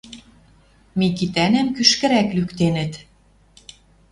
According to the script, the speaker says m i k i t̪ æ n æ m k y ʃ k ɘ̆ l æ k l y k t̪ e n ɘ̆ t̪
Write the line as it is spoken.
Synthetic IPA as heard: m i k i t̪ æ n æ m k y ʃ k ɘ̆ ɾ æ k l y k t̪ e n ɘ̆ t̪